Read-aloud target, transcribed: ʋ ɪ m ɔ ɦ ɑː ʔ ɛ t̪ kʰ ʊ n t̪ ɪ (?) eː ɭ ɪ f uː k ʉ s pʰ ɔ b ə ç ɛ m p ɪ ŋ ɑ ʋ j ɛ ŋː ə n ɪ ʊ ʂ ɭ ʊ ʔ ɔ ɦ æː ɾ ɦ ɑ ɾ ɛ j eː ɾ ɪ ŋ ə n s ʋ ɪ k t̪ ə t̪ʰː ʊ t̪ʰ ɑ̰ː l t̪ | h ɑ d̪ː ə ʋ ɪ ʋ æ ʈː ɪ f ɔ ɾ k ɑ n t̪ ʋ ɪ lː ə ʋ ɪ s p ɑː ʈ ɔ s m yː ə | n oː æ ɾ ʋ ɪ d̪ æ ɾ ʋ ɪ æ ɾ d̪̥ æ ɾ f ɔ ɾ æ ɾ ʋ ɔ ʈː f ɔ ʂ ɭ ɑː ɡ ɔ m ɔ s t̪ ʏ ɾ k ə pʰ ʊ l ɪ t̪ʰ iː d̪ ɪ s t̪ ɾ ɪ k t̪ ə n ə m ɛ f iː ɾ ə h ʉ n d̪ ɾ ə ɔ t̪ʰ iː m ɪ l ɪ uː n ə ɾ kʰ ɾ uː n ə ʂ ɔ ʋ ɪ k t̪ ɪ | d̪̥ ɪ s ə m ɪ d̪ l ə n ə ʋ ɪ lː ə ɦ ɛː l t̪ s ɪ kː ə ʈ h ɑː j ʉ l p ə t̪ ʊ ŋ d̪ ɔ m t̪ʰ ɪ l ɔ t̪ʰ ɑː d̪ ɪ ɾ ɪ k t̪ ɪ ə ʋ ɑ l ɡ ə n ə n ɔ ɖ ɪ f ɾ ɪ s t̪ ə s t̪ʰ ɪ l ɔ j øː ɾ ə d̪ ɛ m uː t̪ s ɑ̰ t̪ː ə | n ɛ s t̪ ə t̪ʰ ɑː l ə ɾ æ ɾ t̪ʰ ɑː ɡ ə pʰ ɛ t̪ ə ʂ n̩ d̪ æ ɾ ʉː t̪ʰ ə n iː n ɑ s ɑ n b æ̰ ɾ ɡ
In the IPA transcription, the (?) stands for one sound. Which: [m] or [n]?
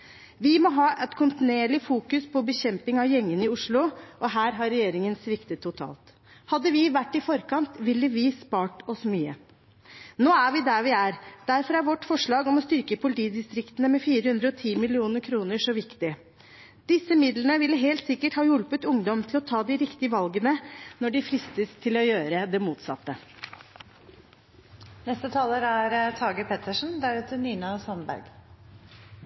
n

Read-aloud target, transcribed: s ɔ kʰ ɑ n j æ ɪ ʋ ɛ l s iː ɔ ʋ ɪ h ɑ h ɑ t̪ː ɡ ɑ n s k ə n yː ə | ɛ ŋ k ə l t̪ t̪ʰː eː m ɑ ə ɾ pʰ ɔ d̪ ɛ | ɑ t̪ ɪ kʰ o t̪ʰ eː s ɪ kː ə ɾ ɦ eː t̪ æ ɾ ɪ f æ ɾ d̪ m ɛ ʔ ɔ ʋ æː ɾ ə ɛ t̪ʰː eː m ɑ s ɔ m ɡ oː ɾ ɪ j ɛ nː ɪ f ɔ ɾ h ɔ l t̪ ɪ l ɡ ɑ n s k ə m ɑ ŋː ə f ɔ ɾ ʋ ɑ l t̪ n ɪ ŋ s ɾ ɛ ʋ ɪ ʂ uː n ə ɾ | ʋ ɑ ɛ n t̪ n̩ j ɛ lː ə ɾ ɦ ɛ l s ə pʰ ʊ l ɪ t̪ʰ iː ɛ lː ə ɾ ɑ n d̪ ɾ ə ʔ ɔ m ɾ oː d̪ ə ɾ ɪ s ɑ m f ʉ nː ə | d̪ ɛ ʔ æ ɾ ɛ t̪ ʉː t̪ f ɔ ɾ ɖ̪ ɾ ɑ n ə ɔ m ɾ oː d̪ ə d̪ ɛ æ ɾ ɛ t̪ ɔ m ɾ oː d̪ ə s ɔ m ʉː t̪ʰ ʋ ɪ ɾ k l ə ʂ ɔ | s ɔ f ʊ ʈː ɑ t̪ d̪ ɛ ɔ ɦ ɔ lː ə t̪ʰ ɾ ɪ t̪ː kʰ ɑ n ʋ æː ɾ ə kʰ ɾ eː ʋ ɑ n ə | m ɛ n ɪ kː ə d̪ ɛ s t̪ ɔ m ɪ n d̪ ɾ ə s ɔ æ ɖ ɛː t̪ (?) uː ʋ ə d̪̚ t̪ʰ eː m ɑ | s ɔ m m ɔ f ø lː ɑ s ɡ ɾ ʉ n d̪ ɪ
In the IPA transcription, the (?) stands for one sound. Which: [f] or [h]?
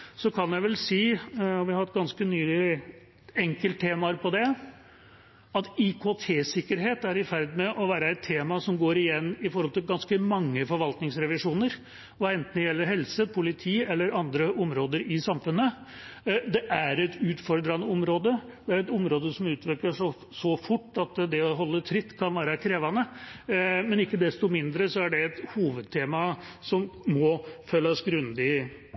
h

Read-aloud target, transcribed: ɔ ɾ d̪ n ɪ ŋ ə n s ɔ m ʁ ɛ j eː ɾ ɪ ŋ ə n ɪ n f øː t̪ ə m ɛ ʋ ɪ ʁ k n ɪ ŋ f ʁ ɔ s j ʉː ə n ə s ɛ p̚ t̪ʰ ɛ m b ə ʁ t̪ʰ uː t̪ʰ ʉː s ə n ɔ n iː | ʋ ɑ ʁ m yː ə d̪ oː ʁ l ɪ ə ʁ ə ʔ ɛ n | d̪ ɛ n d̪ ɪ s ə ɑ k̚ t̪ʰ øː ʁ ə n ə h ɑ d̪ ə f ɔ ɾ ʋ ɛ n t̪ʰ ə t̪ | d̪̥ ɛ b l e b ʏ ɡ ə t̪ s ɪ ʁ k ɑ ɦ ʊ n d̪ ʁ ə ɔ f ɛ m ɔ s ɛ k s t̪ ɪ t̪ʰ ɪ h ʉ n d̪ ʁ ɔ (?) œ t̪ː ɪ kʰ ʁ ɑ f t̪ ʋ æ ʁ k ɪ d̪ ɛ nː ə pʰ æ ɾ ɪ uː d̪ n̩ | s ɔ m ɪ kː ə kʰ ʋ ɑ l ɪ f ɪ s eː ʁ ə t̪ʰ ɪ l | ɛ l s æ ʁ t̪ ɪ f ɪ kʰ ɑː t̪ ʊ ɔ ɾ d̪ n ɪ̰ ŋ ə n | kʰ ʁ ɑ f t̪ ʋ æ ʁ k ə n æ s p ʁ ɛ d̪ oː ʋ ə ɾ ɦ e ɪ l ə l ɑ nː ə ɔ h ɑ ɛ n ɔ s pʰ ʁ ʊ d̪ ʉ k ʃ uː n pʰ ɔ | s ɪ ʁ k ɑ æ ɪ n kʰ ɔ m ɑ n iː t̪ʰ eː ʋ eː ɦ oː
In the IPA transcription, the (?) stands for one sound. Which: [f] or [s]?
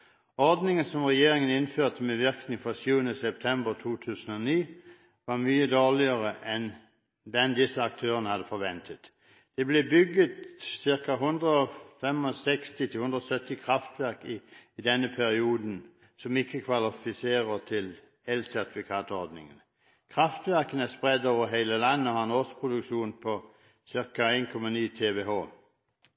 s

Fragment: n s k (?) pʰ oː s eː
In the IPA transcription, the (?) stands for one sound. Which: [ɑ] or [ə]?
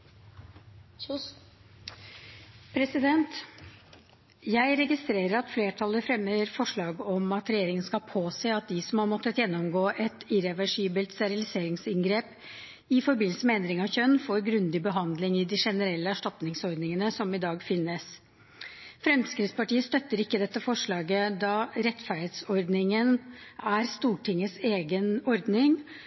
ɑ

